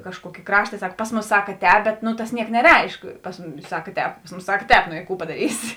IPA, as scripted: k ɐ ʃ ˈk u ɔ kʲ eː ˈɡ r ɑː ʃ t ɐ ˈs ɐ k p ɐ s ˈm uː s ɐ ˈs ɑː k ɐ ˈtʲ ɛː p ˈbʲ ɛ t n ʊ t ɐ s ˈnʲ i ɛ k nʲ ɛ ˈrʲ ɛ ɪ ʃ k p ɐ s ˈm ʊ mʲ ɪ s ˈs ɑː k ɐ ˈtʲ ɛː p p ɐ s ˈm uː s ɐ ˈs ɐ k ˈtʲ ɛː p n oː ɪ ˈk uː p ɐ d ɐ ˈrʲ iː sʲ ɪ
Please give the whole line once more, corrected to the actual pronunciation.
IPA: k ɐ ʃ ˈk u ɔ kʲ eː ˈk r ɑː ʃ t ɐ ˈs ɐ k p ɐ s ˈm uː s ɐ ˈs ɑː k ɐ ˈtʲ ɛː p ˈbʲ ɛ t n ʊ t ɐ s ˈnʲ i ɛ k nʲ ɛ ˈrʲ ɛ ɪ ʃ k p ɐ s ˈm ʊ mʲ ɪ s ˈs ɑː k ɐ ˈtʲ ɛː p p ɐ s ˈm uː s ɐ ˈs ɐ k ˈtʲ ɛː p n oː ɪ ˈk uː p ɐ d ɐ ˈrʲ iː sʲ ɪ